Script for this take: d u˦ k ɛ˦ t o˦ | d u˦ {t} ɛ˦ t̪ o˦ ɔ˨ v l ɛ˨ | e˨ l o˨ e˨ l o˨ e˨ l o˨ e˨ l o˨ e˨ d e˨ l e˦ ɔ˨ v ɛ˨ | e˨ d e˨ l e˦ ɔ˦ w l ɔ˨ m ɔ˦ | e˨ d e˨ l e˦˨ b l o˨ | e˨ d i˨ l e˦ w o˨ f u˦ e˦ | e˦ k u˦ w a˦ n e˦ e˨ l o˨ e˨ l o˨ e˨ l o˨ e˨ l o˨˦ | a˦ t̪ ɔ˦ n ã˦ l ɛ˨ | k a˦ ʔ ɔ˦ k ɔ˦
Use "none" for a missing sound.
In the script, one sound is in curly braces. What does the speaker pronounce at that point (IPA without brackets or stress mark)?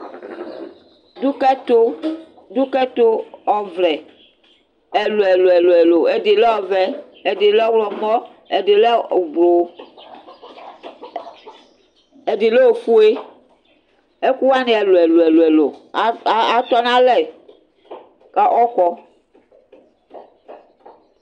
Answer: k